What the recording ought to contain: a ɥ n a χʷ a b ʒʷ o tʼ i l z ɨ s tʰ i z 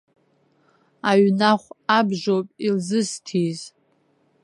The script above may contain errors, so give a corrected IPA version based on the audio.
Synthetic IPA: a ɥ n a χʷ a b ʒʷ o pʼ i l z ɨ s tʰ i z